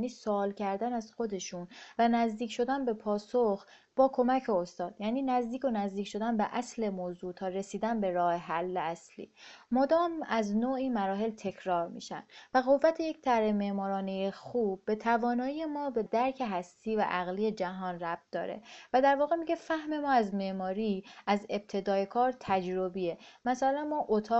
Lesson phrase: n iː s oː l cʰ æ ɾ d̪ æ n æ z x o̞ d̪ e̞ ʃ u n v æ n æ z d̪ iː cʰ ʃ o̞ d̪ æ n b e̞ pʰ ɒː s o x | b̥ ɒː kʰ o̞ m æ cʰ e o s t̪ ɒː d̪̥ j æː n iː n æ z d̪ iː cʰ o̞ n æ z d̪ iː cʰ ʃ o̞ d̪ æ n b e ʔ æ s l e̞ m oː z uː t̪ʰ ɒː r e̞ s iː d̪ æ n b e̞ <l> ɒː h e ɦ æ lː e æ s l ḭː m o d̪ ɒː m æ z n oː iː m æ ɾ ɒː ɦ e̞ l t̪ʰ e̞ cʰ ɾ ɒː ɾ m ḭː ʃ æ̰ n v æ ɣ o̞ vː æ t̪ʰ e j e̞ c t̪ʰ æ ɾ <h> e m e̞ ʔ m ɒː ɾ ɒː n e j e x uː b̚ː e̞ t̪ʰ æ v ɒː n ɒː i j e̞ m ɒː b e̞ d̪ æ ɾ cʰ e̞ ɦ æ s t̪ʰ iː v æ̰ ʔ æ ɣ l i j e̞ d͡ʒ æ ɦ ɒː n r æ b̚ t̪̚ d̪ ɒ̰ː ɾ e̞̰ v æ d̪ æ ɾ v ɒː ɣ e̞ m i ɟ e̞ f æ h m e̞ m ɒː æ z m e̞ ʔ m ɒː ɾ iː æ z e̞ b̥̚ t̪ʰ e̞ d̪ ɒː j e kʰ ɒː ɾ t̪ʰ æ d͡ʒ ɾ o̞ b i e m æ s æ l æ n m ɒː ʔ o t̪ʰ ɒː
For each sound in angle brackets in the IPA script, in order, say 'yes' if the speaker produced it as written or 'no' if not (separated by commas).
no, yes